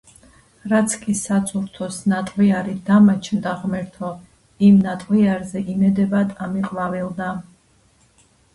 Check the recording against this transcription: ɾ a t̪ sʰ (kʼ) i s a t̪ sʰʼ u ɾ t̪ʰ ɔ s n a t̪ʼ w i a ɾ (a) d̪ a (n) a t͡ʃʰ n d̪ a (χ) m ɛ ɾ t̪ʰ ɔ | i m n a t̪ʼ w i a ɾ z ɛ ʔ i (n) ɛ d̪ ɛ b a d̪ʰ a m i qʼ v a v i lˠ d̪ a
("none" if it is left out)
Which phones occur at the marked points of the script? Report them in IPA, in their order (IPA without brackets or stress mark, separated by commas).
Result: kʼ, i, m, ʁ, m